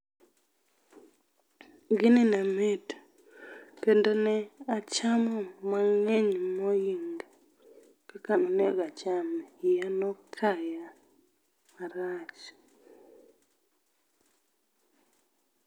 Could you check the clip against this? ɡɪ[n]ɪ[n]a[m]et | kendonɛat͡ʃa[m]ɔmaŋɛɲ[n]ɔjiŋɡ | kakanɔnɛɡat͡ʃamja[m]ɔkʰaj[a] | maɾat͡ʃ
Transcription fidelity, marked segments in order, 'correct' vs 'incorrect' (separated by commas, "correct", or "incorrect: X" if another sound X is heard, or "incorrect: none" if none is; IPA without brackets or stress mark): correct, correct, correct, correct, incorrect: m, incorrect: n, correct